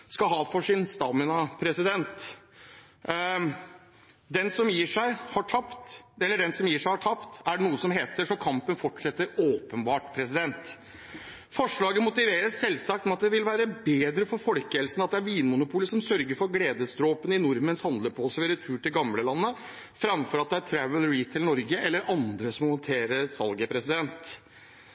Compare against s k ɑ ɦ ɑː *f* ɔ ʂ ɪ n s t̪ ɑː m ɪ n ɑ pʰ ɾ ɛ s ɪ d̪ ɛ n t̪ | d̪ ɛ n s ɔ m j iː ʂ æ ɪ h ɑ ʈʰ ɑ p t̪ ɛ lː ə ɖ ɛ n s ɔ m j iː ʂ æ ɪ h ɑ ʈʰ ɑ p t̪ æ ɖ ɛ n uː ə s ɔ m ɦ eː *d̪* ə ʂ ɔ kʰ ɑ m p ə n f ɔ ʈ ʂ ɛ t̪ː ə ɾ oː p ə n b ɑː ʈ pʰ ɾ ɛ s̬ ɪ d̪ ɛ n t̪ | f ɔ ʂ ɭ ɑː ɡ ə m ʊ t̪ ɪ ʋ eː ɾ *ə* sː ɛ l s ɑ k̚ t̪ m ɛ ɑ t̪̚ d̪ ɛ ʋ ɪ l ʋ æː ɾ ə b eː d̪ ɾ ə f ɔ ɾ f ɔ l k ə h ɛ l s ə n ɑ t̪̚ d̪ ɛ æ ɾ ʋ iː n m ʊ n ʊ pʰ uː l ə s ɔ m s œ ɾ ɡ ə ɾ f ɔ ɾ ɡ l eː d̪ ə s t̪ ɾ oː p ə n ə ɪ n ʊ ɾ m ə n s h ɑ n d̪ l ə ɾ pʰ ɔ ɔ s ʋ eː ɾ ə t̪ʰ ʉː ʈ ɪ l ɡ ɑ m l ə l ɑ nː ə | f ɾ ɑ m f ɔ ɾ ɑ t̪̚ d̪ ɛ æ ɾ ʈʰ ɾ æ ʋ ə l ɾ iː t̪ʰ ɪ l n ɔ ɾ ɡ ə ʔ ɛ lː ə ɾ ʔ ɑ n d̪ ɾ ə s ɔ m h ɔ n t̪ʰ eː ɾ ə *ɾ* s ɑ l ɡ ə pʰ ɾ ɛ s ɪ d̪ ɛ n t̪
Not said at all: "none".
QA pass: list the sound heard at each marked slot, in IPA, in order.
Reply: f, t̪, ə, ɾ

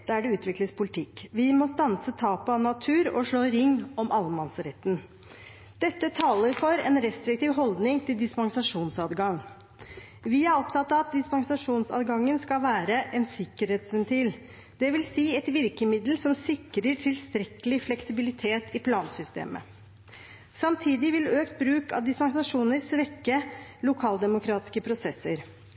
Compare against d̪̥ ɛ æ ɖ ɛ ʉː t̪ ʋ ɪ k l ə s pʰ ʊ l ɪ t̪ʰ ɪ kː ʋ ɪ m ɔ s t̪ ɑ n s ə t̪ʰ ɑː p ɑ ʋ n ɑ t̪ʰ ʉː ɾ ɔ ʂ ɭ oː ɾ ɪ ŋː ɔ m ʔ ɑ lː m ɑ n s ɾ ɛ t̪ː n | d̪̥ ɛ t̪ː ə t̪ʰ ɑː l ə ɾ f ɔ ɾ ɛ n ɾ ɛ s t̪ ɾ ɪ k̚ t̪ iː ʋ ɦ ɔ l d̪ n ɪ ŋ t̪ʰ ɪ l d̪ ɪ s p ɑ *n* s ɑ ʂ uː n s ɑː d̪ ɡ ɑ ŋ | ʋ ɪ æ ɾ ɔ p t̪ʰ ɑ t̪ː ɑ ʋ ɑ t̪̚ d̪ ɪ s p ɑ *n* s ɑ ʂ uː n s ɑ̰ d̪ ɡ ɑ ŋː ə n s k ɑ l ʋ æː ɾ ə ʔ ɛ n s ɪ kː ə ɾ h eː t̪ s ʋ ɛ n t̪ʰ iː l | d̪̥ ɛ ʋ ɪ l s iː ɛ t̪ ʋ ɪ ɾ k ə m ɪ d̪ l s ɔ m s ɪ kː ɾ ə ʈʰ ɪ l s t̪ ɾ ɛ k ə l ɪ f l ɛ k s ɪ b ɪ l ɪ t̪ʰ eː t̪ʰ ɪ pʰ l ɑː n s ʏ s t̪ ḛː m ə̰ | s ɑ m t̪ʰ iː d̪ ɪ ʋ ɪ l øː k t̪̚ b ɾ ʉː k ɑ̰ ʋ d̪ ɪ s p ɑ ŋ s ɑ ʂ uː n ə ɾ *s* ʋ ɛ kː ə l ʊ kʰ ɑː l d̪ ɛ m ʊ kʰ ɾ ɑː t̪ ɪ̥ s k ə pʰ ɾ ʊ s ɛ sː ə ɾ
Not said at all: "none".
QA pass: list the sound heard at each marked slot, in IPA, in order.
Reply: ŋ, ŋ, s

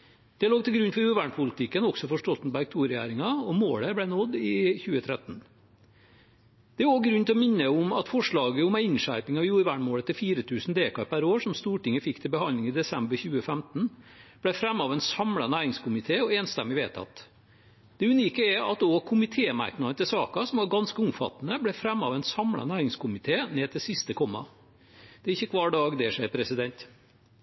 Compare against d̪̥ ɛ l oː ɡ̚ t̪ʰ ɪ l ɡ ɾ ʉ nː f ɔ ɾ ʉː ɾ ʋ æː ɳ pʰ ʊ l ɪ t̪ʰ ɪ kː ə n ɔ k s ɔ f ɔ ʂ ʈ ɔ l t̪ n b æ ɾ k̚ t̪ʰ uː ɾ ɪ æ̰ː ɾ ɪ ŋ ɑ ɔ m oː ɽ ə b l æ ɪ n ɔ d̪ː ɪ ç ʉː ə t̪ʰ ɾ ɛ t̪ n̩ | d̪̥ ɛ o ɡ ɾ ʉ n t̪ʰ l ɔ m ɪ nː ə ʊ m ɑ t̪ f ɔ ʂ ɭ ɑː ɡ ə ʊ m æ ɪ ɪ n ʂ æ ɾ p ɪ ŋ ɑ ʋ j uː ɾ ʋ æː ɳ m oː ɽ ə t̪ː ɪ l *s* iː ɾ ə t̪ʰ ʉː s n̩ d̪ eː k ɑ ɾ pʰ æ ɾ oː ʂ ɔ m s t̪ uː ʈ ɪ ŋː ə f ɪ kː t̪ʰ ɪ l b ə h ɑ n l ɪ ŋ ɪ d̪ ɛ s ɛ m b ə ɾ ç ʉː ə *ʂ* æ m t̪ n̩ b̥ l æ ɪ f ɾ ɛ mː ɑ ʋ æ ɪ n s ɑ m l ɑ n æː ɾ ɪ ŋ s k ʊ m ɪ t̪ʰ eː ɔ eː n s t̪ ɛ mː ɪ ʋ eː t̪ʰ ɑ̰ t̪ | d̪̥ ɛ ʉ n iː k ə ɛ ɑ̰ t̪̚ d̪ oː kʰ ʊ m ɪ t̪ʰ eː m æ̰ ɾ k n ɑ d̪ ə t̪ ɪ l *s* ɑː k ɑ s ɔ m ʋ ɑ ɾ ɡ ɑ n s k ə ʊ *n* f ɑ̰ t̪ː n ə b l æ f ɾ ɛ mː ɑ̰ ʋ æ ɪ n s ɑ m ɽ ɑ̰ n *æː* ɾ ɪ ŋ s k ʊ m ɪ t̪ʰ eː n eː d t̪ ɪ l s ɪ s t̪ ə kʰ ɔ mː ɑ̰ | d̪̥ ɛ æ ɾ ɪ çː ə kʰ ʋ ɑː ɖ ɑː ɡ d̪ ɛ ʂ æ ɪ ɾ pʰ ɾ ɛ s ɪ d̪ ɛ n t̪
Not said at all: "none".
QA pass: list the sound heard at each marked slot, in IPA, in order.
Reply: f, f, s, m, æː

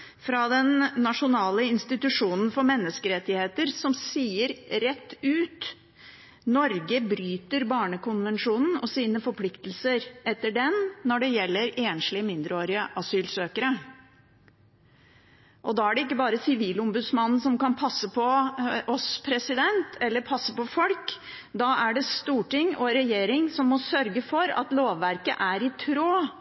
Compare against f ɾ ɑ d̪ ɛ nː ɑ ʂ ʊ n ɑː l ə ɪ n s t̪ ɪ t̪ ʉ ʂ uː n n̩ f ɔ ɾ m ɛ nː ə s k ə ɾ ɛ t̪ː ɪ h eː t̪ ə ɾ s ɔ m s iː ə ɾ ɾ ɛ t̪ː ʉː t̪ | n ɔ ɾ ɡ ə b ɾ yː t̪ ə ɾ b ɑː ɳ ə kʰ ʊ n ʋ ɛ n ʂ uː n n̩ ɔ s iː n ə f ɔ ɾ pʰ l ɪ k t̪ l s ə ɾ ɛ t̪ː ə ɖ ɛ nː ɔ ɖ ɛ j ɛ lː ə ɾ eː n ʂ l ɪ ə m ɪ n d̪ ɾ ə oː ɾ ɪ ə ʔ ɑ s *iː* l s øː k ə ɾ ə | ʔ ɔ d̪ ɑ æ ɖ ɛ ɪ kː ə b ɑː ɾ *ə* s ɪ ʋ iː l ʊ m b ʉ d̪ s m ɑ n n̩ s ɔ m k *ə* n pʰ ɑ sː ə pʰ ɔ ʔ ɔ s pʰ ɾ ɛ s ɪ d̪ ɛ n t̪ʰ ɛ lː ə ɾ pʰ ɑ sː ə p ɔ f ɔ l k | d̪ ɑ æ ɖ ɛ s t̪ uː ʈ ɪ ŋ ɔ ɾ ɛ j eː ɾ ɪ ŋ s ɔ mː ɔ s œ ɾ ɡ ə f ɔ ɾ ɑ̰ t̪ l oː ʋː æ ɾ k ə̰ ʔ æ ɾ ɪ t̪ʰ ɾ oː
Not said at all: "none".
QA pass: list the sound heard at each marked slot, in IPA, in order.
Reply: yː, ə, ɑ

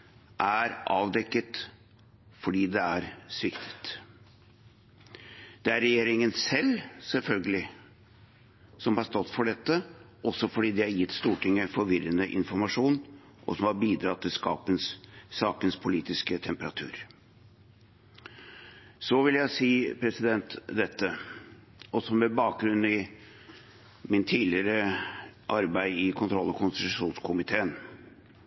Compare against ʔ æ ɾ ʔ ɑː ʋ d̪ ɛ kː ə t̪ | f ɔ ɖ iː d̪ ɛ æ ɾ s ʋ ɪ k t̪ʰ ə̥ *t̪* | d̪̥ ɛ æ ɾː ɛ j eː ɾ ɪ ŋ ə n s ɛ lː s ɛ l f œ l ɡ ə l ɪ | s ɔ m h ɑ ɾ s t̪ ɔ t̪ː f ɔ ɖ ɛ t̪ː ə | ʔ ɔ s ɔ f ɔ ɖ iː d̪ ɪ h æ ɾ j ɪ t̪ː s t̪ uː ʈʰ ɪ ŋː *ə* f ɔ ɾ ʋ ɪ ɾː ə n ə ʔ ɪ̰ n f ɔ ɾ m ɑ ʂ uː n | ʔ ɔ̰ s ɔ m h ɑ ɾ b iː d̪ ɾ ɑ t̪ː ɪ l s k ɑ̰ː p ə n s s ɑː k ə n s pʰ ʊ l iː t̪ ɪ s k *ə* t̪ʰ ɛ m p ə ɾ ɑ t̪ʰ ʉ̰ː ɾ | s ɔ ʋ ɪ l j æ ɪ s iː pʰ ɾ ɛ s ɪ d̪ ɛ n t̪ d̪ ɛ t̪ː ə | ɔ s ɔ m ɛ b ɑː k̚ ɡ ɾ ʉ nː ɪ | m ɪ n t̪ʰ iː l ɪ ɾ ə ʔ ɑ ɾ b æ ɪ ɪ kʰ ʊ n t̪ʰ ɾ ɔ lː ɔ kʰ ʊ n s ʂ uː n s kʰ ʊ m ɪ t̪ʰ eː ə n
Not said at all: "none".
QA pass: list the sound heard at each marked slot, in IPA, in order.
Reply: t̪, ə, ə

